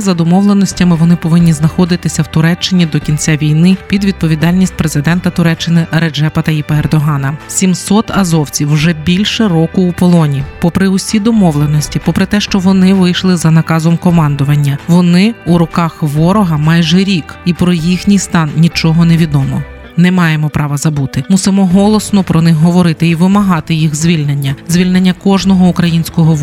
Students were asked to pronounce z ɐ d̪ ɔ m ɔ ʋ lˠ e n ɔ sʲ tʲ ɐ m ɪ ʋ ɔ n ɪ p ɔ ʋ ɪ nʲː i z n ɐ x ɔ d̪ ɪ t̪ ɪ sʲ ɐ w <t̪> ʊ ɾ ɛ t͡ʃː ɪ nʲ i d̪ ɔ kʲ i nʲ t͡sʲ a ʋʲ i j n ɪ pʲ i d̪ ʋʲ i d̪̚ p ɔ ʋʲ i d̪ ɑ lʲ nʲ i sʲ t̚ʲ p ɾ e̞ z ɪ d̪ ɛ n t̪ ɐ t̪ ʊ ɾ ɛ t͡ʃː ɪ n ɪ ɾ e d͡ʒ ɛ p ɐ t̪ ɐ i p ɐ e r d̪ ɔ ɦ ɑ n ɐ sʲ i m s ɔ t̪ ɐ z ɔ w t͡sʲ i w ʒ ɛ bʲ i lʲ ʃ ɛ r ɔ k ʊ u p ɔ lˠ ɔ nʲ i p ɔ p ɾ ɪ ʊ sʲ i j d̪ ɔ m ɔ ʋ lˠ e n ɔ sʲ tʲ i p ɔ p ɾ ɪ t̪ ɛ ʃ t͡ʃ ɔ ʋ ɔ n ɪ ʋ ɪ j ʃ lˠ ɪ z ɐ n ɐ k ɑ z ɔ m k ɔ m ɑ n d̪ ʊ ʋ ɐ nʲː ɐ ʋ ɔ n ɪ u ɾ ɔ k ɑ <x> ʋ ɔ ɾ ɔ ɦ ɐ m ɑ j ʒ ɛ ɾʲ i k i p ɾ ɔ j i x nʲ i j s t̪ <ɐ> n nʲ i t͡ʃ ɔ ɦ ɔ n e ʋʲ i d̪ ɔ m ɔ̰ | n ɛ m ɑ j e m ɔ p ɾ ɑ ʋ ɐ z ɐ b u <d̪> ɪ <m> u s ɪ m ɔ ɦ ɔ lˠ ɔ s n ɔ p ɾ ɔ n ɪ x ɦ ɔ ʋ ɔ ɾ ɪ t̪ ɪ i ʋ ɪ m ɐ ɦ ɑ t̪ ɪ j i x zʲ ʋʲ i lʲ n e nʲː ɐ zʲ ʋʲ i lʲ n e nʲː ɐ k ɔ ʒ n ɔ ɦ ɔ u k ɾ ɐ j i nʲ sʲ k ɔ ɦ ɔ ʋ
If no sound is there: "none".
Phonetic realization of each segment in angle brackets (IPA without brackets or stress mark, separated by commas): t̪, x, ɑ, t̪, m